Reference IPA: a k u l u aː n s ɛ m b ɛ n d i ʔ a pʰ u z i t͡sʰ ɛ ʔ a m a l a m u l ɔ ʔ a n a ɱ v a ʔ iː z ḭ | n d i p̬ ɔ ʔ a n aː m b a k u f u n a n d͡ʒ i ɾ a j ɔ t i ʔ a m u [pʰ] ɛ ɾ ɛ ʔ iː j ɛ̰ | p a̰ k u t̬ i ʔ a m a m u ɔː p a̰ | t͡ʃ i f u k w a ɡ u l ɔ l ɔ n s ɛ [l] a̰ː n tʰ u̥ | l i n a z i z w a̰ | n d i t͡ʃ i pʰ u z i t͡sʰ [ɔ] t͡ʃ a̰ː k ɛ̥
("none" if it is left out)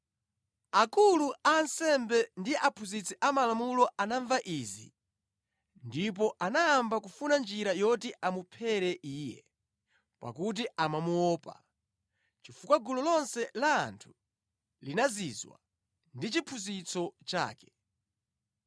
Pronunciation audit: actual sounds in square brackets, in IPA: pʰ, l, ɔ

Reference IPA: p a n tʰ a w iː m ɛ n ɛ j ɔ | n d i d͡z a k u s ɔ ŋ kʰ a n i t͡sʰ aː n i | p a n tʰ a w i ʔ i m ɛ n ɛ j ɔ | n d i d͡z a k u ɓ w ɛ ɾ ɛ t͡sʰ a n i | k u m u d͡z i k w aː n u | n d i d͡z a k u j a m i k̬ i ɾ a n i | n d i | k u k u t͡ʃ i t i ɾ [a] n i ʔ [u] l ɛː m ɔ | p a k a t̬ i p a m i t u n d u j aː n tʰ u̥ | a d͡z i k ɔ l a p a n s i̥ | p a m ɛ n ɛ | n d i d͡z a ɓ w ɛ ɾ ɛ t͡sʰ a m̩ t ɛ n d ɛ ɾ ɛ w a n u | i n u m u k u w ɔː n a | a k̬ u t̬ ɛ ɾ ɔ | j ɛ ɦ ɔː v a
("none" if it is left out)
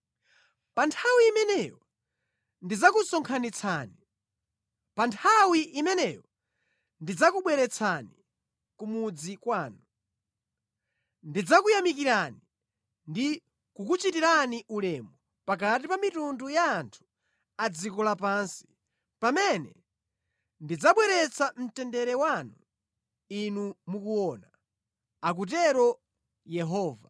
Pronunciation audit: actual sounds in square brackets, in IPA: a, u

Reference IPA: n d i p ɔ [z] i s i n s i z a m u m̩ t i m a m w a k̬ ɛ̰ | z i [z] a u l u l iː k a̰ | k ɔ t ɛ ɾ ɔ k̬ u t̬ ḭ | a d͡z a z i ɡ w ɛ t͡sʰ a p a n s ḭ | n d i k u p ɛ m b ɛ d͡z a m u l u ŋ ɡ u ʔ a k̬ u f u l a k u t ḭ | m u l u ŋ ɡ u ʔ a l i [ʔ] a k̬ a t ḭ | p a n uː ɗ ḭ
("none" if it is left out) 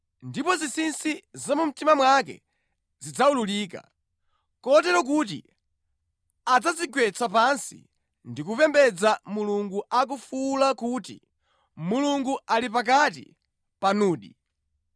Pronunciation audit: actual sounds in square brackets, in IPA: z, d͡z, p

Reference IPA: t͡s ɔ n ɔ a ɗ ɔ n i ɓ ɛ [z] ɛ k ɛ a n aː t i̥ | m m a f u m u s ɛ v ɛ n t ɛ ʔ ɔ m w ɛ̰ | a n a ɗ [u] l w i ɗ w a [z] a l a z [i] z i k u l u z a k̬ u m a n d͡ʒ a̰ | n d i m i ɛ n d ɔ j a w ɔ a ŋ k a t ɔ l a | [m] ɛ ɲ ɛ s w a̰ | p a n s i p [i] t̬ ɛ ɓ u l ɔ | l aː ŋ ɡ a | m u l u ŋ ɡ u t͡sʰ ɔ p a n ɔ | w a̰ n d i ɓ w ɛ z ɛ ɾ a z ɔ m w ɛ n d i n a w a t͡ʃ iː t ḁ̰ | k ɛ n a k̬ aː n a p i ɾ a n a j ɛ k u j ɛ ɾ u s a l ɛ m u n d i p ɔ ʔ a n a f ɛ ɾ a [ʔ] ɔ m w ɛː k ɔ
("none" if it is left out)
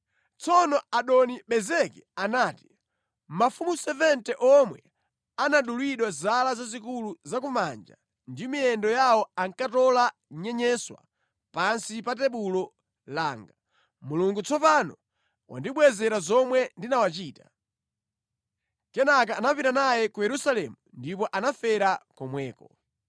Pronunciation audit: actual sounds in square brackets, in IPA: z, u, z, a, ɲ, a, k

